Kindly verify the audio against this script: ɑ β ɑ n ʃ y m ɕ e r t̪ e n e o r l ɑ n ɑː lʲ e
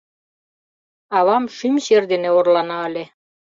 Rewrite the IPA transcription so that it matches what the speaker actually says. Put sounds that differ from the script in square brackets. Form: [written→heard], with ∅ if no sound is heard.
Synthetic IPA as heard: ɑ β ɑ [n→m] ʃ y m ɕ e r [t̪→d̪] e n e o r l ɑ n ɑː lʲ e

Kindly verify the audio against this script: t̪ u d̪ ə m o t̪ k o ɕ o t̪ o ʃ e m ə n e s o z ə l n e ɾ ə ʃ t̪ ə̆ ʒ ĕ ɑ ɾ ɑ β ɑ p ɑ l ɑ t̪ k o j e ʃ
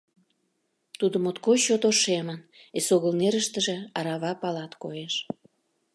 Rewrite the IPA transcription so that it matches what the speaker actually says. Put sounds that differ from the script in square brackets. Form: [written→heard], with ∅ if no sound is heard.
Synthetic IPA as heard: t̪ u d̪ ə m o t̪ k o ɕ o t̪ o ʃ e m ə n e s o [z→ɣ] ə l n e ɾ ə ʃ t̪ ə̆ ʒ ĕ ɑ ɾ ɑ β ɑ p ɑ l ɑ t̪ k o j e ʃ

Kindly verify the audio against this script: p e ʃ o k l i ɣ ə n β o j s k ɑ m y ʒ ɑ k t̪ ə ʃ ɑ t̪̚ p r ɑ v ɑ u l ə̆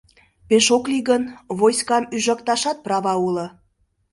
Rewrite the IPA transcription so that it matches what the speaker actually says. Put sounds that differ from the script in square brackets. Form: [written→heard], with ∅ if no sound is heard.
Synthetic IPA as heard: p e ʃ o k l i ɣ ə n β o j s k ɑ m y ʒ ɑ k t̪ [ə→ɑ] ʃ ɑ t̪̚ p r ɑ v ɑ u l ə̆

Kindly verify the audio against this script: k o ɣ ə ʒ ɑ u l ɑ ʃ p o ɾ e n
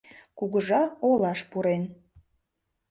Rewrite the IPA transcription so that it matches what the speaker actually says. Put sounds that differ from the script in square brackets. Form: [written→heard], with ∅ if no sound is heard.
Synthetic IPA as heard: k [o→u] ɣ ə ʒ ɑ [u→o] l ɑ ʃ p [o→u] ɾ e n

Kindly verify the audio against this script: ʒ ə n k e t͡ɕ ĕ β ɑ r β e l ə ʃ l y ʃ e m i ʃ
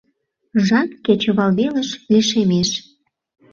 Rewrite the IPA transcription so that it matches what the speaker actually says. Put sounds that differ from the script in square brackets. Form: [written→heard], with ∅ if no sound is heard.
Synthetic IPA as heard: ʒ [ə→ɑ] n k e t͡ɕ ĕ β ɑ [r→l] β e l ə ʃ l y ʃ e m [i→e] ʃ

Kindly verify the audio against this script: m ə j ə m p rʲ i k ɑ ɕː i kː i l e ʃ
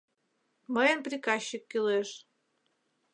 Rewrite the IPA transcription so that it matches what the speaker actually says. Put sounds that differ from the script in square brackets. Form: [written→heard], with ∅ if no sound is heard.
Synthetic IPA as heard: m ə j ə [m→n] p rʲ i k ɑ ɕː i kː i l e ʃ

